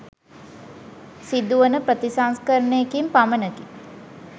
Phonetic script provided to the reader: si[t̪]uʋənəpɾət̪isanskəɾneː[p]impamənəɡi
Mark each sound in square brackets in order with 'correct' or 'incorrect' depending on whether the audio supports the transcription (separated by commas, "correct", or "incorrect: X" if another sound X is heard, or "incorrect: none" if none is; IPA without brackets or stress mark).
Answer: incorrect: d̪, incorrect: k